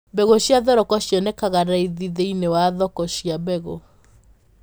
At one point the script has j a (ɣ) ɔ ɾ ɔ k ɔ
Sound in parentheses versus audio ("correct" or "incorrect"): incorrect